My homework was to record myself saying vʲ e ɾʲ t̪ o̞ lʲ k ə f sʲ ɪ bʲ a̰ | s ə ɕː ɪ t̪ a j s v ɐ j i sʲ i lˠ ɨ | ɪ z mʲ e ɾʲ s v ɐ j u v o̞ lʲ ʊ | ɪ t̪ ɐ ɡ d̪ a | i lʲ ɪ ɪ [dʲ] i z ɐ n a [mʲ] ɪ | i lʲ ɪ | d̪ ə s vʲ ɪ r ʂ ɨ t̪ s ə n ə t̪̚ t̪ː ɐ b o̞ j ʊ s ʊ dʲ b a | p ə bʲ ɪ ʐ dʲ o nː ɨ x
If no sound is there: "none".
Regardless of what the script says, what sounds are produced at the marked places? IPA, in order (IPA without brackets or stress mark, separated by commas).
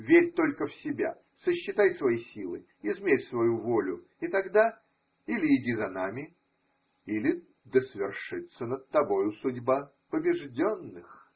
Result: dʲ, mʲ